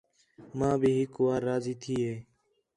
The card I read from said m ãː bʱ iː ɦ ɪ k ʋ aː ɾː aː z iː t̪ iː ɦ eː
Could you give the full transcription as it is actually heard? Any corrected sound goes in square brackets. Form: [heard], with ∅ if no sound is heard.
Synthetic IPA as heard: m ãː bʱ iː ɦ ɪ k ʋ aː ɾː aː z iː [t̪ʰ] iː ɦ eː